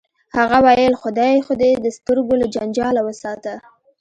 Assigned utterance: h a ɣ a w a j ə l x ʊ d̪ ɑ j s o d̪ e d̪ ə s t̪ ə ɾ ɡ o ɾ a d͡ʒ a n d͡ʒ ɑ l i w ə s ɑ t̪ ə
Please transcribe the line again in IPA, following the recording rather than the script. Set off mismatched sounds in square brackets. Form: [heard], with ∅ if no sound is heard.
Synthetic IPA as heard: h a ɣ a w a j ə l x ʊ d̪ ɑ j [x] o d̪ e d̪ ə s t̪ ə ɾ ɡ o [l] a d͡ʒ a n d͡ʒ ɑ l [a] w ə s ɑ t̪ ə